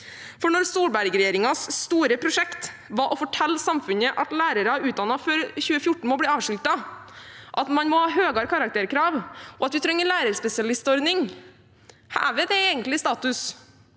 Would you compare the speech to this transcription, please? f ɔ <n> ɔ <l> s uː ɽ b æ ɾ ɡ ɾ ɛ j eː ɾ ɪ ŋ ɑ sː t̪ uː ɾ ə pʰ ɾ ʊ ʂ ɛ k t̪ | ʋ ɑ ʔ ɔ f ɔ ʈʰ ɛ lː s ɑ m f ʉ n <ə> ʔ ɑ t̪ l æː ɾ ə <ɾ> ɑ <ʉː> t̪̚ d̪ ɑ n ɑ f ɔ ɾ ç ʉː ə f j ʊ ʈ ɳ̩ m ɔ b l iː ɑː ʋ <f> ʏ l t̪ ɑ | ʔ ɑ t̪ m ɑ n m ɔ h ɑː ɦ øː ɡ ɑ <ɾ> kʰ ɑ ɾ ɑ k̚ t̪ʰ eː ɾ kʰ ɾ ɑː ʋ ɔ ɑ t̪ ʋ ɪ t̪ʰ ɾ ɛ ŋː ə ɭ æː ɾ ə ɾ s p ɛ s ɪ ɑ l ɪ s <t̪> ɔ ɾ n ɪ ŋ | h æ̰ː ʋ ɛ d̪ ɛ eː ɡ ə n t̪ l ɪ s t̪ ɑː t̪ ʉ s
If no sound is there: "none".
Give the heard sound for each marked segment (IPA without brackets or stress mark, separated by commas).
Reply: ɳ, ɾ, ə, ɾ, ʉː, ʂ, ɾ, t̪